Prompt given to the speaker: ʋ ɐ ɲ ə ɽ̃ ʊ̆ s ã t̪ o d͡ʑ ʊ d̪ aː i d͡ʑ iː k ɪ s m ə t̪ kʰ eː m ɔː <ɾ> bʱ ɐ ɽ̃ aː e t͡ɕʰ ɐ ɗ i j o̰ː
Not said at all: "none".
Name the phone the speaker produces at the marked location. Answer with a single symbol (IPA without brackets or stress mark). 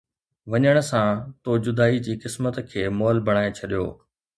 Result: l